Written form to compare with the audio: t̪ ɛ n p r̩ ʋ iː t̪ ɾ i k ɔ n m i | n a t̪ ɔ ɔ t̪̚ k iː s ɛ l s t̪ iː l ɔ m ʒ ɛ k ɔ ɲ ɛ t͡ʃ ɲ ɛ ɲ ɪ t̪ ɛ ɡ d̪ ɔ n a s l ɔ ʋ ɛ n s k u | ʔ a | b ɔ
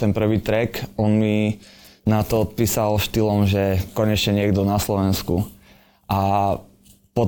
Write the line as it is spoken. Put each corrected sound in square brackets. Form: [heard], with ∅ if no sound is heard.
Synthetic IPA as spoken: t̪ ɛ n p r̩ ʋ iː t̪ ɾ [ɛ] k ɔ n m i | n a t̪ ɔ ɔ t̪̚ [p] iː s [a] l [ʃ] t̪ [i] l ɔ m ʒ ɛ k ɔ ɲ ɛ t͡ʃ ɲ ɛ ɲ ɪ [∅] ɛ ɡ d̪ ɔ n a s l ɔ ʋ ɛ n s k u | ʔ a | [p] ɔ